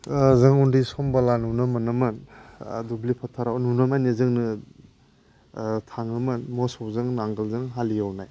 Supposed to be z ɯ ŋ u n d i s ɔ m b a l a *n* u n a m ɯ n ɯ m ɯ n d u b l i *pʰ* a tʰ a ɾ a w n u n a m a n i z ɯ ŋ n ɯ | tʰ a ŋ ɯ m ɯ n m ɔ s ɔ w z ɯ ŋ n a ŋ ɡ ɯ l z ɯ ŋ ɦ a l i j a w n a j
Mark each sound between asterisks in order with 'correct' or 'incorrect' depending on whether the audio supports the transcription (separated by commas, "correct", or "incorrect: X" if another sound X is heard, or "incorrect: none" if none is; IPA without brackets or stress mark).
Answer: correct, correct